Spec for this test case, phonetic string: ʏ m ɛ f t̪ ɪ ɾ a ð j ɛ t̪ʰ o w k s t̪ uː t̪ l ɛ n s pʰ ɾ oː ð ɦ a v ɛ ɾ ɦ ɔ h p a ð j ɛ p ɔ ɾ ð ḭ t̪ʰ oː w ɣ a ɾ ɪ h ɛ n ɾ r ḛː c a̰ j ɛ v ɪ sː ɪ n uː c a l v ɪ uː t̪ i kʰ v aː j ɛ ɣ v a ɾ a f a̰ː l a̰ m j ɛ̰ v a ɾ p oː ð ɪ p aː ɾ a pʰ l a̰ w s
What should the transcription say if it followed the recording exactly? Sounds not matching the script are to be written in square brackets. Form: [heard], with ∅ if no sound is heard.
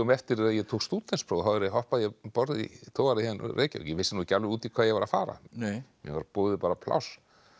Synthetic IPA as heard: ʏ m ɛ f t̪ ɪ ɾ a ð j ɛ t̪ʰ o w k s t̪ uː t̪ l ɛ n s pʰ ɾ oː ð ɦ a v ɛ ɾ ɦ ɔ h p a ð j ɛ p ɔ ɾ ð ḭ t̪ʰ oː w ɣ a ɾ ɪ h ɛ n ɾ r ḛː c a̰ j ɛ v ɪ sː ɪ n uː c a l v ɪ uː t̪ i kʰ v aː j ɛ ɣ v a ɾ a f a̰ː [ɾ] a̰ m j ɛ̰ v a ɾ p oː ð ɪ p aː ɾ a pʰ l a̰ w s